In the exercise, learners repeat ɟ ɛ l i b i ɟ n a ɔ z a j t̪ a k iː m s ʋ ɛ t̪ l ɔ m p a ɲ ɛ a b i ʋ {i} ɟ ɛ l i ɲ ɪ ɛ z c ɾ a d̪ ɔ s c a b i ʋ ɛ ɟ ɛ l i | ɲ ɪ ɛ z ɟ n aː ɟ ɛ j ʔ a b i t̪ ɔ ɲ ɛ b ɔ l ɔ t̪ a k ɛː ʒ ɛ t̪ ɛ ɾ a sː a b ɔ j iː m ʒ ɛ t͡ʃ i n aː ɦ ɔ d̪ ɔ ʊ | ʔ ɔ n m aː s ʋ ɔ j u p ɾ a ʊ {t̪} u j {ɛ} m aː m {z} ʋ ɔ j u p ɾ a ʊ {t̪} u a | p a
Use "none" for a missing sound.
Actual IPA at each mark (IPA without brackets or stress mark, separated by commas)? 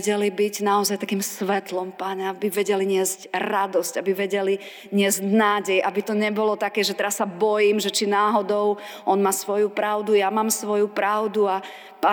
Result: ɛ, d̪, a, s, d̪